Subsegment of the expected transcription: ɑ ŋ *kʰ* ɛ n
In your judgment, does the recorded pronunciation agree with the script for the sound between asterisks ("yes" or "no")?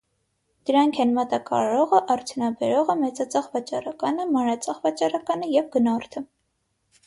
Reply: yes